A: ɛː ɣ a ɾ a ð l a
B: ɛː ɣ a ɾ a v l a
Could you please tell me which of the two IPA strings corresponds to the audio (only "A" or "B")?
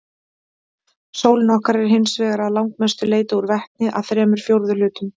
A